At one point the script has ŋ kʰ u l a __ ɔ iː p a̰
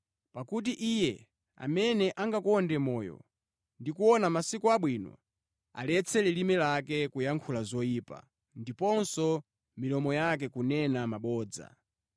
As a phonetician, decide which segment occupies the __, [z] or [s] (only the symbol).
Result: z